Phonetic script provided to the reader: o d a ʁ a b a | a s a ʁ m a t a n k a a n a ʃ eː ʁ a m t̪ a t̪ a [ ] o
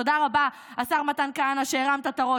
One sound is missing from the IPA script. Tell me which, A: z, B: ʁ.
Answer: B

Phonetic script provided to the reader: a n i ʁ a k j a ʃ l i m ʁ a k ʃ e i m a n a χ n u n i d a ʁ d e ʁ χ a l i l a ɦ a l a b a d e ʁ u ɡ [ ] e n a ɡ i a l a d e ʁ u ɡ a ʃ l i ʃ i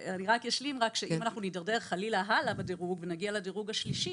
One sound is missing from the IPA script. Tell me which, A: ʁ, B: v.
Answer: B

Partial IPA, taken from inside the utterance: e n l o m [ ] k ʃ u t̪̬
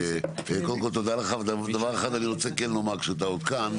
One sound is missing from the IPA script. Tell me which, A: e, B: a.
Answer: B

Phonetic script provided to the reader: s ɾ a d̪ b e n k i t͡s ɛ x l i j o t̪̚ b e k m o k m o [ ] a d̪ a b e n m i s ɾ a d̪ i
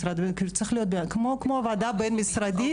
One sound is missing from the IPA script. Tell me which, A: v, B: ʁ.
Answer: A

